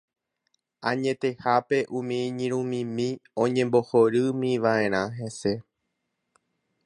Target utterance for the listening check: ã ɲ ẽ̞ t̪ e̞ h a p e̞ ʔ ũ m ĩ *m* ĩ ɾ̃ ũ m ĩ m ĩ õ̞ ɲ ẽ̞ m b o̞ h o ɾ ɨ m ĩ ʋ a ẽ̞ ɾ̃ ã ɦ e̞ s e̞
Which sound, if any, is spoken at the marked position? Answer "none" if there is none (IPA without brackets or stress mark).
ɲ